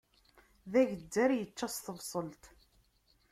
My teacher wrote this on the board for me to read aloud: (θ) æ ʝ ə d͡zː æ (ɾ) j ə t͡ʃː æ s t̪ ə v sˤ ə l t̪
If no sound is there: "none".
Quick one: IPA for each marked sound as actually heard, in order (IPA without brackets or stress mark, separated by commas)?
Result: ð, ɾ